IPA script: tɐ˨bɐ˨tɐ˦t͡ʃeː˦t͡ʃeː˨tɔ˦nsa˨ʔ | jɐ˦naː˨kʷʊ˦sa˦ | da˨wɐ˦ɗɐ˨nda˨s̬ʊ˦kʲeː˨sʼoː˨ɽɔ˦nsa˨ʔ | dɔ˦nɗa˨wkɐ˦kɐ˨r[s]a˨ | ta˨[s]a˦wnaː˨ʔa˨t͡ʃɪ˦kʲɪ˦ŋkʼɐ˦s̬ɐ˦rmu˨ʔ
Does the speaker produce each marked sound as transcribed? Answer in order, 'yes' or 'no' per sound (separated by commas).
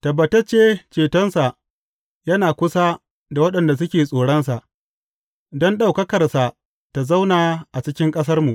yes, no